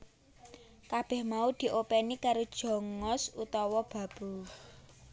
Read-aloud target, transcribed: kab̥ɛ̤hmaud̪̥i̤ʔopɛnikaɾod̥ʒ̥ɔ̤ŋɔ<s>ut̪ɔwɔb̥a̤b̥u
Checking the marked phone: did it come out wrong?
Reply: no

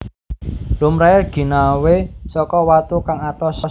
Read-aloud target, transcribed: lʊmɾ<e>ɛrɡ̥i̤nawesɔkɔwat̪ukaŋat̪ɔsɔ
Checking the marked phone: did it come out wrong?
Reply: yes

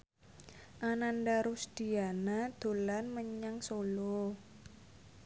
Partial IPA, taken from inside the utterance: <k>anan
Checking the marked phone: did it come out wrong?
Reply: yes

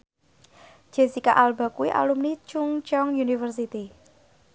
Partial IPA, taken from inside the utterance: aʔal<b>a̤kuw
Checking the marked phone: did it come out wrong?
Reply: no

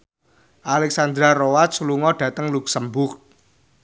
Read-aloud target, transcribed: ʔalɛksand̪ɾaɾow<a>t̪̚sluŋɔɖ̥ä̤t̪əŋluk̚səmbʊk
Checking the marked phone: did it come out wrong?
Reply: no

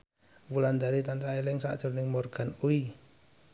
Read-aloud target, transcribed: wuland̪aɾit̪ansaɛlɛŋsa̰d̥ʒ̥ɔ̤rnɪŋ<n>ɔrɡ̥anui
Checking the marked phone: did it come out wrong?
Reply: yes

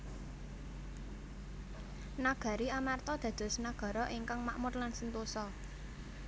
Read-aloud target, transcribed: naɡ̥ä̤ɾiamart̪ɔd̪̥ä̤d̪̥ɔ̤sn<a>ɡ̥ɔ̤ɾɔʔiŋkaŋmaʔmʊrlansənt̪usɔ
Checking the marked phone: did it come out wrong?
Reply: no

